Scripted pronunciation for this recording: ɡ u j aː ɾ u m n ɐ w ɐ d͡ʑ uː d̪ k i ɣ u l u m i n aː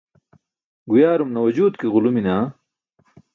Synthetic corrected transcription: ɡ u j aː ɾ u m n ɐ w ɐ d͡ʑ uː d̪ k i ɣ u l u m i n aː